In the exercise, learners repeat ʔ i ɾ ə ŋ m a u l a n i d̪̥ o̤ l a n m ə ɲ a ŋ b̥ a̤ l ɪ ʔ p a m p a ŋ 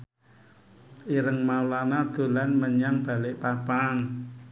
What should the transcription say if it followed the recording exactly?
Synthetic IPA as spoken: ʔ i ɾ ə ŋ m a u l a n a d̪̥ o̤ l a n m ə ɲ a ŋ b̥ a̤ l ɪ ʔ p a p a ŋ